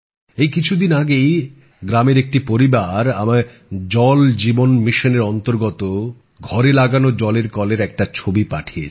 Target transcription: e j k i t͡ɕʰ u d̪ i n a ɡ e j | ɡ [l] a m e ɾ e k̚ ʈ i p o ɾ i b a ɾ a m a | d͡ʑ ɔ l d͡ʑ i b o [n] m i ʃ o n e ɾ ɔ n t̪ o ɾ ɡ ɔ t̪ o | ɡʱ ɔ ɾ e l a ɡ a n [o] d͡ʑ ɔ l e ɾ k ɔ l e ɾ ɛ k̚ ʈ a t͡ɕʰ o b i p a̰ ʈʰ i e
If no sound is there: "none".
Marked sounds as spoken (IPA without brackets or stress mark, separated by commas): ɾ, n, o